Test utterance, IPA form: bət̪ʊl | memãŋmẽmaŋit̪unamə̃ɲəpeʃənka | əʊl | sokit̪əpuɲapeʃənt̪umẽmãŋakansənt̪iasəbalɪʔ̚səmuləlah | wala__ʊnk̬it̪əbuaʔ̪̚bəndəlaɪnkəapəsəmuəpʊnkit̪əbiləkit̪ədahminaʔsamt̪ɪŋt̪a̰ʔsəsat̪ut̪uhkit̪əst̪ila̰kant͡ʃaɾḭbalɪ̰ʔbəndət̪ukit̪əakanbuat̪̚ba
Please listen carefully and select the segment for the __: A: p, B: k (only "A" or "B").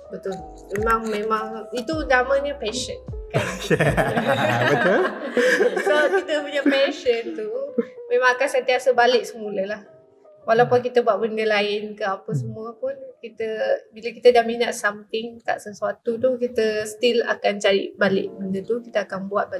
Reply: A